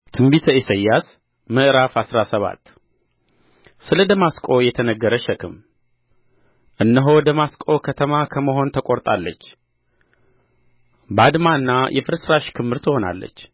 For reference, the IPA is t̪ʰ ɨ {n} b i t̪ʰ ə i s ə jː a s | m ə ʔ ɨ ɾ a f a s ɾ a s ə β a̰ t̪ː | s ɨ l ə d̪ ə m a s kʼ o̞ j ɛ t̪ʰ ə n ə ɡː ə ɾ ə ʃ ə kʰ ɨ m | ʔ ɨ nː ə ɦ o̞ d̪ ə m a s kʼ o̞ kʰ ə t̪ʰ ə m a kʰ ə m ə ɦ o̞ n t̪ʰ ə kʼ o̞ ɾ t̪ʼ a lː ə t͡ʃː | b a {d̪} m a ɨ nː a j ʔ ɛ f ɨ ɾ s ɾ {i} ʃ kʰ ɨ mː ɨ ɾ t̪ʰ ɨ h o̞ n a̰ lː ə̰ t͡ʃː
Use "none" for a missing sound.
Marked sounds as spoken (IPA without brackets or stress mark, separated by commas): m, d̪, a